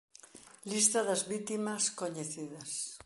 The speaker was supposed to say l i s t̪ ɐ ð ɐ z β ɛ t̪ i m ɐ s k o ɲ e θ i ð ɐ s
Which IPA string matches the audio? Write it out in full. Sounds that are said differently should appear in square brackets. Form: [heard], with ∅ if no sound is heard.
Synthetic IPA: l i s t̪ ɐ ð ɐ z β [i] t̪ i m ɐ s k o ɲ e θ i ð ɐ s

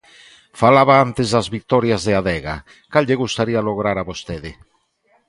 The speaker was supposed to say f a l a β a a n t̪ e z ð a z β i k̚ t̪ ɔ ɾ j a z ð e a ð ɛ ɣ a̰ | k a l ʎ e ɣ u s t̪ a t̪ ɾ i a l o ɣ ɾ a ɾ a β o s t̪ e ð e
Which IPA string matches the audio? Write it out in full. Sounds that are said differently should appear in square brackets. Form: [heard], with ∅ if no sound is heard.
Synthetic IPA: f a l a β a a n t̪ e z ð a z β i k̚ t̪ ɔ ɾ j a z ð e a ð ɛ ɣ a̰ | k a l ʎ e ɣ u s t̪ a [∅] ɾ i a l o ɣ ɾ a ɾ a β o s t̪ e ð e

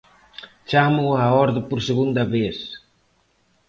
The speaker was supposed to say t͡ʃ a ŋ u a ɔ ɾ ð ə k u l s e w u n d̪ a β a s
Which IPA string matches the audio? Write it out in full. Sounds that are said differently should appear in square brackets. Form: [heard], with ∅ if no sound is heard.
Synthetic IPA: t͡ʃ a [m] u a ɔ ɾ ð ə [p] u [ɾ] s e [ɣ] u n d̪ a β [e] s

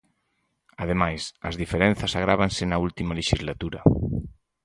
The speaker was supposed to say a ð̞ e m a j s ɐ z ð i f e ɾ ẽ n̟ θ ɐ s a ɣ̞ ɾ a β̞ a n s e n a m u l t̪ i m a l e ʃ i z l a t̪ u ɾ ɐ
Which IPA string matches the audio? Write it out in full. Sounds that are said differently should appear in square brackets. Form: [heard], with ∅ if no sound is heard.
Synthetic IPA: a ð̞ e m a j s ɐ z ð i f e ɾ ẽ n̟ θ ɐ s a ɣ̞ ɾ a β̞ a n s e n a [∅] u l t̪ i m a l e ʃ i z l a t̪ u ɾ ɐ

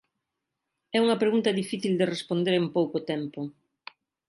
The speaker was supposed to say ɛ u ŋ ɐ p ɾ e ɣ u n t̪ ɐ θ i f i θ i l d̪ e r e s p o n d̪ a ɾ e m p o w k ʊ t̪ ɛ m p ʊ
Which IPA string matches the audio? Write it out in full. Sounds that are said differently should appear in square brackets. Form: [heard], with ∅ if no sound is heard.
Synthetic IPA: ɛ u ŋ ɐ p ɾ e ɣ u n t̪ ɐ [ð] i f i θ i l d̪ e r e s p o n d̪ [e] ɾ e m p o w k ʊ t̪ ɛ m p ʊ

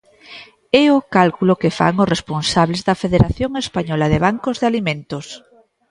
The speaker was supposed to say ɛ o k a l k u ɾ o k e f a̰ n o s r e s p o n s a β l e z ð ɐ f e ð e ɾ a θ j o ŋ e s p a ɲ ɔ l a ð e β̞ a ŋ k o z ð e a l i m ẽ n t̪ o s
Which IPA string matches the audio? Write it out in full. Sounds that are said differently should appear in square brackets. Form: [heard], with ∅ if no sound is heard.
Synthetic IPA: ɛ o k a l k u [l] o k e f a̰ [ŋ] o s r e s p o n s a β l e z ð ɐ f e ð e ɾ a θ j o ŋ e s p a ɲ ɔ l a ð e β̞ a ŋ k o z ð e a l i m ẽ n t̪ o s

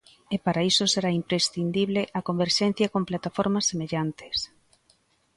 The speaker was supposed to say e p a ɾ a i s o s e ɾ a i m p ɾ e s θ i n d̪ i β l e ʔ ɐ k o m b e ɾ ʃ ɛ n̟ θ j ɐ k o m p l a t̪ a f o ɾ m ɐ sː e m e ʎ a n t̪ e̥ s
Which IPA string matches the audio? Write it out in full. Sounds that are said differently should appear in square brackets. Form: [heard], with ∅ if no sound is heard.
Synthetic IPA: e p a ɾ a i s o s e ɾ a i m p ɾ e s θ i n d̪ i β l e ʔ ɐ k o m b e ɾ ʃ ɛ n̟ θ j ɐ k o m p l a t̪ a f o ɾ m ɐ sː e m e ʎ a n t̪ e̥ s

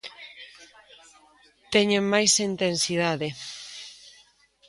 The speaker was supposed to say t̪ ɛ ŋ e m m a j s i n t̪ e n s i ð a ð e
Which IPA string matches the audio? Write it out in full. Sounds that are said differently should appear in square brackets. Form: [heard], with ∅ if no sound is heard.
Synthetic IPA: t̪ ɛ [ɲ] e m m a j s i n t̪ e n s i ð a ð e

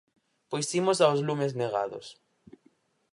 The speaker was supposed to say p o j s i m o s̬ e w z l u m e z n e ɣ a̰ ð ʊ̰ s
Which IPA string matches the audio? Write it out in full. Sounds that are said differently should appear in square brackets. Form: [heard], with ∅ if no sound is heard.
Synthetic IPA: p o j s i m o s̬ [a] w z l u m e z n e ɣ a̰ ð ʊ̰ s

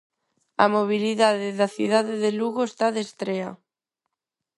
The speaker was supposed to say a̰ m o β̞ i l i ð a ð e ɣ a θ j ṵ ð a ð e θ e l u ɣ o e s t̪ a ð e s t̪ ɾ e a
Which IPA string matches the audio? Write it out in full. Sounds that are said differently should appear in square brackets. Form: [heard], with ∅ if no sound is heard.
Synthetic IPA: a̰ m o β̞ i l i ð a ð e [ð] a θ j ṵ ð a ð e [ð] e l u ɣ o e s t̪ a ð e s t̪ ɾ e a

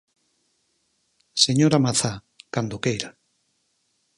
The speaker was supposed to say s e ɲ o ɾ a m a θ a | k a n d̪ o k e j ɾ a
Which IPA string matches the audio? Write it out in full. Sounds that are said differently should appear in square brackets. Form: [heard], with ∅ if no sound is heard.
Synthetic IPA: s e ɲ o ɾ a m a θ a | k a n d̪ o k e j ɾ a

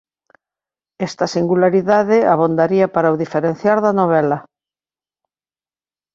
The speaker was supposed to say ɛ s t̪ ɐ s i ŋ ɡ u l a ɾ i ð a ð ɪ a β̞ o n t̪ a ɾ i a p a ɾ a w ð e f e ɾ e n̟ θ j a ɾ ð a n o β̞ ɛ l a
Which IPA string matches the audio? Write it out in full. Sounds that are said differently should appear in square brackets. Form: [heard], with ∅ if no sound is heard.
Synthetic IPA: ɛ s t̪ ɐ s i ŋ ɡ u l a ɾ i ð a ð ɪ a β̞ o n [d̪] a ɾ i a p a ɾ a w ð [i] f e ɾ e n̟ θ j a ɾ ð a n o β̞ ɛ l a

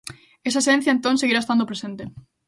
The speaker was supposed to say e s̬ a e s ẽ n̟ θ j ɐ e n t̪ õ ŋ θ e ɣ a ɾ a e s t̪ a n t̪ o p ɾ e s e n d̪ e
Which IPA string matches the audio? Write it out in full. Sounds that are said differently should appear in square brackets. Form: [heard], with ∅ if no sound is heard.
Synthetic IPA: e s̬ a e s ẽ n̟ θ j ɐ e n t̪ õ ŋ [s] e ɣ [i] ɾ a e s t̪ a n [d̪] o p ɾ e s e n [t̪] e

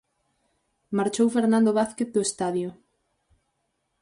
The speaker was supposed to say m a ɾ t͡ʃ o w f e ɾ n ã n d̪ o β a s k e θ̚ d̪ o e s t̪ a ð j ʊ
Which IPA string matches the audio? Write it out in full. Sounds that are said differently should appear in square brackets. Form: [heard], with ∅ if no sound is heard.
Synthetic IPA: m a ɾ t͡ʃ o w f e ɾ n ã n d̪ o β a [θ] k e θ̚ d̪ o e s t̪ a ð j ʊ

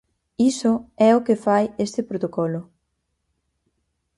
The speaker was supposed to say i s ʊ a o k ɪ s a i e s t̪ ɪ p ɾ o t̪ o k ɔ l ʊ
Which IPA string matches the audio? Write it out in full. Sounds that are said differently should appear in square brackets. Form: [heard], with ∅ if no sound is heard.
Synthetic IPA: i s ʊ [ɛ] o k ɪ [f] a [j] e s t̪ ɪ p ɾ o t̪ o k ɔ l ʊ

